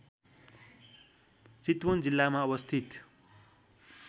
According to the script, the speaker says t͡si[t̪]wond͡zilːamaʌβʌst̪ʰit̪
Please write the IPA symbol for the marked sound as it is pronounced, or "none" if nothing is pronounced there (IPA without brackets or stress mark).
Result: t̪